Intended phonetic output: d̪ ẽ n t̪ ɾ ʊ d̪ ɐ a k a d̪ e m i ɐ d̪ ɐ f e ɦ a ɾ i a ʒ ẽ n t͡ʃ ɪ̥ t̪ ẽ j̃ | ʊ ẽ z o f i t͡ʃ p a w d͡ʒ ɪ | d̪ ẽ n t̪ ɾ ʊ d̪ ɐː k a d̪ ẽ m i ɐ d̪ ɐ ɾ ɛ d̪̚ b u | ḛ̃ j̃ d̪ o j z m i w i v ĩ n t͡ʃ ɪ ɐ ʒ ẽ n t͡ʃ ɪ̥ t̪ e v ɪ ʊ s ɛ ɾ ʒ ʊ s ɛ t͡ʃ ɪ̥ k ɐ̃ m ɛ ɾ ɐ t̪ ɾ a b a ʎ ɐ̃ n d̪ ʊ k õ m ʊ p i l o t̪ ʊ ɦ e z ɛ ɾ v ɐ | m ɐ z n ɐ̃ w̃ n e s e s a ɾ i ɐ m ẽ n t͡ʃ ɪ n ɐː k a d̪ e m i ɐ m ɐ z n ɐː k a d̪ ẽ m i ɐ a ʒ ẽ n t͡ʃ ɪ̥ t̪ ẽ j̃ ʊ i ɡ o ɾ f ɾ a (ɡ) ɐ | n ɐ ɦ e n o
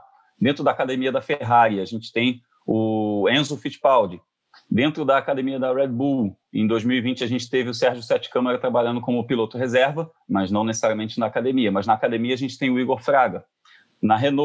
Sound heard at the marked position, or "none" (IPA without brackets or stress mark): ɡ